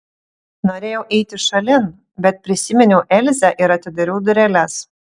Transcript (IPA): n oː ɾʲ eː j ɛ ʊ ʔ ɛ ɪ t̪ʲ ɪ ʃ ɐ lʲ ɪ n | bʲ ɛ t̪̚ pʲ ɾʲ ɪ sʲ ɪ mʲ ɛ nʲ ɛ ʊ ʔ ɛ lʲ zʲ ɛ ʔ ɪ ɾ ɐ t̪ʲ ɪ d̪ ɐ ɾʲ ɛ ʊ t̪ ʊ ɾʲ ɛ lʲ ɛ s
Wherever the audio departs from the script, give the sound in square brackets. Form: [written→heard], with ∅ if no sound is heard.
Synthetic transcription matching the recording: n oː ɾʲ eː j ɛ ʊ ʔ ɛ ɪ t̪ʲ ɪ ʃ ɐ lʲ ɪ n | bʲ ɛ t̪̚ pʲ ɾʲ ɪ sʲ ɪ mʲ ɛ nʲ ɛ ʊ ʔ ɛ lʲ zʲ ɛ ʔ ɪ ɾ ɐ t̪ʲ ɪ d̪ ɐ ɾʲ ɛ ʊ [t̪→d̪] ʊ ɾʲ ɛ lʲ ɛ s

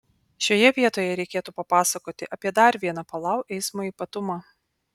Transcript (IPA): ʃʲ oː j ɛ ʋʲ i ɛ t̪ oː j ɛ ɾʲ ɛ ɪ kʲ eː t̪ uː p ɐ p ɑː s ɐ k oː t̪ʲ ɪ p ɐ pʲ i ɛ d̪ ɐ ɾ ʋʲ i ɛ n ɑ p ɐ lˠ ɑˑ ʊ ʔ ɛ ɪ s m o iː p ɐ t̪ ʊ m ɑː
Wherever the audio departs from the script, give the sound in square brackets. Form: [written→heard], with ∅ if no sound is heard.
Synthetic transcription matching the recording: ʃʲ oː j ɛ ʋʲ i ɛ t̪ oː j ɛ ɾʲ ɛ ɪ kʲ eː t̪ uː p ɐ p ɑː s ɐ k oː t̪ʲ ɪ [p→ʔ] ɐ pʲ i ɛ d̪ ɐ ɾ ʋʲ i ɛ n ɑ p ɐ lˠ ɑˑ ʊ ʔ ɛ ɪ s m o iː p ɐ t̪ ʊ m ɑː

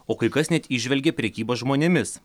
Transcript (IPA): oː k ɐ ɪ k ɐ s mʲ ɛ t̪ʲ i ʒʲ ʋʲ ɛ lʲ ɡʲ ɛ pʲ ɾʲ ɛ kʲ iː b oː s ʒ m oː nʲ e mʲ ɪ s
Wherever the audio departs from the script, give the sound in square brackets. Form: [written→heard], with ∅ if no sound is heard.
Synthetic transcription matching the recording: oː k ɐ ɪ k ɐ s [mʲ→nʲ] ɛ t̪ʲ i ʒʲ ʋʲ ɛ lʲ ɡʲ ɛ pʲ ɾʲ ɛ kʲ iː b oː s ʒ m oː nʲ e mʲ ɪ s

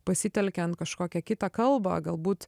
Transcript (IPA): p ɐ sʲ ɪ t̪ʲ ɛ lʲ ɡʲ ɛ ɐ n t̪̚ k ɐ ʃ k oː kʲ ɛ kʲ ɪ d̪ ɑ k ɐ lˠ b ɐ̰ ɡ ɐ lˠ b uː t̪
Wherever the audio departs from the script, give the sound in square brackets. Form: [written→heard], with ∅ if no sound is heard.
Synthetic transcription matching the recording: p ɐ sʲ ɪ t̪ʲ ɛ lʲ [ɡʲ→kʲ] ɛ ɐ n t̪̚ k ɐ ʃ k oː kʲ ɛ kʲ ɪ [d̪→t̪] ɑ k ɐ lˠ b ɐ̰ ɡ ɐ lˠ b uː t̪

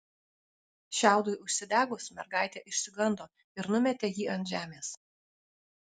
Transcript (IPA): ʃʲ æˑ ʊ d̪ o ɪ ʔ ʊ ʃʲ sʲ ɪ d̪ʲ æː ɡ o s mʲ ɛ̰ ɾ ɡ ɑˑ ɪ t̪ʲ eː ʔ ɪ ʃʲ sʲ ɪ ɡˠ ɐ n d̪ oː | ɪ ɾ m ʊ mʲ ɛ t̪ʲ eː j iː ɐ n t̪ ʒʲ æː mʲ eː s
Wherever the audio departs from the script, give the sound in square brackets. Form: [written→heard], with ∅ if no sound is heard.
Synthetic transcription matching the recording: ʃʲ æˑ ʊ d̪ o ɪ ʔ ʊ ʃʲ sʲ ɪ d̪ʲ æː ɡ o s mʲ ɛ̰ ɾ ɡ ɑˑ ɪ t̪ʲ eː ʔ ɪ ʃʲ sʲ ɪ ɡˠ ɐ n d̪ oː | ɪ ɾ [m→n] ʊ mʲ ɛ t̪ʲ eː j iː ɐ n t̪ ʒʲ æː mʲ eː s

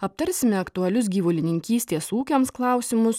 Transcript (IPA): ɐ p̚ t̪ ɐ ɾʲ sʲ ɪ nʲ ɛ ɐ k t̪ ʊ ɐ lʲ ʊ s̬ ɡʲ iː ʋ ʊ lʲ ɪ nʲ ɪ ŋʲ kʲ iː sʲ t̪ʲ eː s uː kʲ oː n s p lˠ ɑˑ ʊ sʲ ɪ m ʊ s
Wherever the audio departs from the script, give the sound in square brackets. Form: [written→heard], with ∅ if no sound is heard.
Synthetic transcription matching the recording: ɐ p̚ t̪ ɐ ɾʲ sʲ ɪ [nʲ→mʲ] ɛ ɐ k t̪ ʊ ɐ lʲ ʊ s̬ ɡʲ iː ʋ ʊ lʲ ɪ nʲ ɪ ŋʲ kʲ iː sʲ t̪ʲ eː s uː kʲ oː [n→m] s [p→k] lˠ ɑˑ ʊ sʲ ɪ m ʊ s

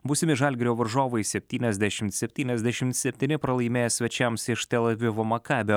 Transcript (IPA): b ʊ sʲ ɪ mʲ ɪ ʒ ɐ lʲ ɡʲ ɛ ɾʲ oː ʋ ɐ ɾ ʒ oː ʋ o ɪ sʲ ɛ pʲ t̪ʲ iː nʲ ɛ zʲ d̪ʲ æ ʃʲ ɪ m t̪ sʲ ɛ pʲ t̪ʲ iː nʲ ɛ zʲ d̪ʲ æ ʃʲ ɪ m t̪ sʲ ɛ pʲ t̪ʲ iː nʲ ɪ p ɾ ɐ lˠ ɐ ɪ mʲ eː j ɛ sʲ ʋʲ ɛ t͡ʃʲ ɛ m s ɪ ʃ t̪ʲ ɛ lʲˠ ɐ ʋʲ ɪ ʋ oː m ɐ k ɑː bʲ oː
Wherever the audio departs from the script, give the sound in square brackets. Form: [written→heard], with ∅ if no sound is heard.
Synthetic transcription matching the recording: b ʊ sʲ ɪ mʲ ɪ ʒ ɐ lʲ ɡʲ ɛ ɾʲ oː ʋ ɐ ɾ ʒ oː ʋ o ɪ sʲ ɛ pʲ t̪ʲ iː nʲ ɛ zʲ d̪ʲ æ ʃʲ ɪ m t̪ sʲ ɛ pʲ t̪ʲ iː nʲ ɛ zʲ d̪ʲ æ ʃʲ ɪ m t̪ sʲ ɛ pʲ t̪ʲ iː nʲ ɪ p ɾ ɐ lˠ ɐ ɪ mʲ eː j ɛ sʲ ʋʲ ɛ t͡ʃʲ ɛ m s ɪ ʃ t̪ʲ ɛ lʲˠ ɐ ʋʲ ɪ ʋ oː m ɐ k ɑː bʲ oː

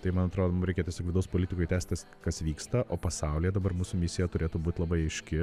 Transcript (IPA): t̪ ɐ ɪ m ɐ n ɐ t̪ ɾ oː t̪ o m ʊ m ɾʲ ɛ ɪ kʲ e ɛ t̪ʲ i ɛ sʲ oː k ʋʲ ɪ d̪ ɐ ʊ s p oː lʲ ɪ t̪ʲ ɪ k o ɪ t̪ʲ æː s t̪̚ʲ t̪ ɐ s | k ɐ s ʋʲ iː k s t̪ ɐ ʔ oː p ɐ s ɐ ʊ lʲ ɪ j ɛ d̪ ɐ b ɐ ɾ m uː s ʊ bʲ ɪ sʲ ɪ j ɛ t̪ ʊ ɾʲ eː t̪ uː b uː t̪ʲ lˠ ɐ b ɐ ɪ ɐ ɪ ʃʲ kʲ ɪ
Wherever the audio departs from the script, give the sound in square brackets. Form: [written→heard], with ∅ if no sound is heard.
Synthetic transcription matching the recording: t̪ ɐ ɪ m ɐ n ɐ t̪ ɾ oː [t̪→d̪] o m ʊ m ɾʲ ɛ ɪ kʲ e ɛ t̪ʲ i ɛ sʲ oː k ʋʲ ɪ d̪ ɐ ʊ s p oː lʲ ɪ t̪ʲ ɪ k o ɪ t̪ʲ æː s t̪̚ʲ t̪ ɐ s | k ɐ s ʋʲ iː k s t̪ ɐ ʔ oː p ɐ s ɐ ʊ lʲ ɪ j ɛ d̪ ɐ b ɐ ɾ m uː s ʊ [bʲ→mʲ] ɪ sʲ ɪ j ɛ t̪ ʊ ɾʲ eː t̪ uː b uː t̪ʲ lˠ ɐ b ɐ ɪ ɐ ɪ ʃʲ kʲ ɪ

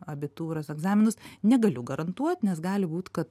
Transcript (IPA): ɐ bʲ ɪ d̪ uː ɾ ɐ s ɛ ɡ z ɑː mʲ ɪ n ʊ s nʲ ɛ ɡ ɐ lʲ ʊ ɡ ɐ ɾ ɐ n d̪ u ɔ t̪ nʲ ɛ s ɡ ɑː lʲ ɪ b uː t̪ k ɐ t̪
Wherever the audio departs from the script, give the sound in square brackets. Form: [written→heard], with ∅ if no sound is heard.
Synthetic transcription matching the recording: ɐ bʲ ɪ [d̪→t̪] uː ɾ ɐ s ɛ ɡ z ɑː mʲ ɪ n ʊ s nʲ ɛ ɡ ɐ lʲ ʊ ɡ ɐ ɾ ɐ n [d̪→t̪] u ɔ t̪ nʲ ɛ s ɡ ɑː lʲ ɪ b uː t̪ k ɐ t̪

